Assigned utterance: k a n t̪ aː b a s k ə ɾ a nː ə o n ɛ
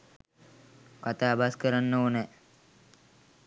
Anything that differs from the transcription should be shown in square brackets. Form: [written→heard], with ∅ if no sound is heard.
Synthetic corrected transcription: k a [n→∅] t̪ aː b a s k ə ɾ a nː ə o n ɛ